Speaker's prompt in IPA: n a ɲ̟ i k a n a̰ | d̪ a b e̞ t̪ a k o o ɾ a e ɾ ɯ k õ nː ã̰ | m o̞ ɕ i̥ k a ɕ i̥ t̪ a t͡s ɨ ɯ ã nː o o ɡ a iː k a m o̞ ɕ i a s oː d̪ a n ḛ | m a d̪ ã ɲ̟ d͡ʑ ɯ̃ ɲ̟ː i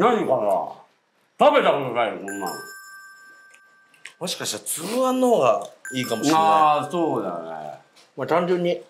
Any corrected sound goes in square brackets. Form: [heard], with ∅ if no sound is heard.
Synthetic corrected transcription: n a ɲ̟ i k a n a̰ | [t̪] a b e̞ t̪ a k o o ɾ a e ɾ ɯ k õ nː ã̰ | m o̞ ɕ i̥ k a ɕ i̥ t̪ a t͡s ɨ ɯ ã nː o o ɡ a iː k a m o̞ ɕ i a s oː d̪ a n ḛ | m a [t̪] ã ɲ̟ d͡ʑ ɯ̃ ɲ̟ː i